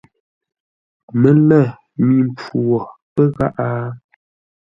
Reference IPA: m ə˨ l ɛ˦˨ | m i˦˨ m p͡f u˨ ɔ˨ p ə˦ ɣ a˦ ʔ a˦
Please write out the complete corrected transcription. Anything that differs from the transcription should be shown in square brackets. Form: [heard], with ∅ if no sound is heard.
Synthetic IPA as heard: m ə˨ l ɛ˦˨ | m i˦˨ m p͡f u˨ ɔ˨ p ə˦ ɣ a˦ ʔ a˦